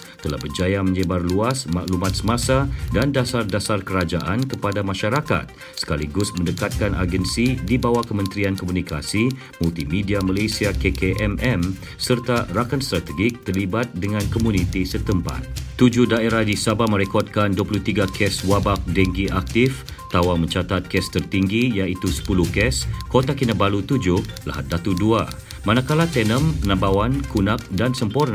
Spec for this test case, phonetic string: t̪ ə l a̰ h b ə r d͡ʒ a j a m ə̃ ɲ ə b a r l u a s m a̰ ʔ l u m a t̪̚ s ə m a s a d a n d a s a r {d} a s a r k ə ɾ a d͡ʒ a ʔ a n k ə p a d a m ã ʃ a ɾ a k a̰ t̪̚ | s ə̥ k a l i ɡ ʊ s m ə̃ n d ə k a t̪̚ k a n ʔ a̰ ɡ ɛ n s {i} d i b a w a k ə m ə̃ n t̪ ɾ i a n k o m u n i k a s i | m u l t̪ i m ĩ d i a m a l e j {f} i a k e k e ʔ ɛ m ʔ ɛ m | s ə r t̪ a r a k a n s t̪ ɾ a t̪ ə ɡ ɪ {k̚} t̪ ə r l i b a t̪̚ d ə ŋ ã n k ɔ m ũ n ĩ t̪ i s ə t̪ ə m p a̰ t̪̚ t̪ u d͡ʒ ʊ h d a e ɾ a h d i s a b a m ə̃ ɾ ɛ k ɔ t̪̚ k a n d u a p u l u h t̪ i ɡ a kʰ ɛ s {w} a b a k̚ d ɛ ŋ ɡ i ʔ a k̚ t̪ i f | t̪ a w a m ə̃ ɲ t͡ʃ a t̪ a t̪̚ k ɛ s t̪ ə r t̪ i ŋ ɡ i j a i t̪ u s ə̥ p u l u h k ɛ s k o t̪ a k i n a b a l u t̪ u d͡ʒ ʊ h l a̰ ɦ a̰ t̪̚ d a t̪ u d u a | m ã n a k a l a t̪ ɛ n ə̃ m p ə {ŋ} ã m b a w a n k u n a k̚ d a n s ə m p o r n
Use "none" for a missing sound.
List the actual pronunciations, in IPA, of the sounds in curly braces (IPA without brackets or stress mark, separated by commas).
d, i, s, k̚, w, n